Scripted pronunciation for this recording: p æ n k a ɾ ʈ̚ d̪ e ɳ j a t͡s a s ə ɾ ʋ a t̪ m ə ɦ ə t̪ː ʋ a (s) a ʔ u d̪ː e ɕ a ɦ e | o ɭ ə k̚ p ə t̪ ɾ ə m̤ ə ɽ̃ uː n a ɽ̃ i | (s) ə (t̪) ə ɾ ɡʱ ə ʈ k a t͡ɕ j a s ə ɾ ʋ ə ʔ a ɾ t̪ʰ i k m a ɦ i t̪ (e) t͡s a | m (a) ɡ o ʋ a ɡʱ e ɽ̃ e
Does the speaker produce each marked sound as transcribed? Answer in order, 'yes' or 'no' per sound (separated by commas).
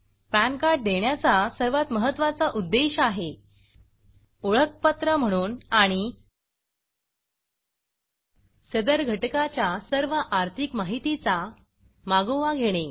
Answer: no, yes, no, no, yes